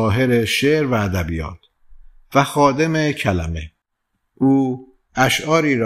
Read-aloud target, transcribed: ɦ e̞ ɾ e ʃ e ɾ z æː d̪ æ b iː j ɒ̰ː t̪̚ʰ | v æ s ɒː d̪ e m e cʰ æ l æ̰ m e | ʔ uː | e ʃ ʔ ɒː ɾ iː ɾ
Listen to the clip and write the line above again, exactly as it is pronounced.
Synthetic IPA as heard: ɦ e̞ ɾ e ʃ e ɾ v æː d̪ æ b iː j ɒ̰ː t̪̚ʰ | v æ x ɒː d̪ e m e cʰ æ l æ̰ m e | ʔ uː | æ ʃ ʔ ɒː ɾ iː ɾ